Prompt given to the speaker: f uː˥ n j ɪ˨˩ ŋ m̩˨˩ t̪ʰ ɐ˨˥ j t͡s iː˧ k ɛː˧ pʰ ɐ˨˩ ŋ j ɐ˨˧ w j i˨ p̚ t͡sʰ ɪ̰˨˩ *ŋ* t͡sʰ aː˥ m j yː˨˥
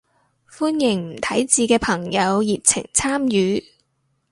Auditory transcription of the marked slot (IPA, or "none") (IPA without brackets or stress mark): ŋ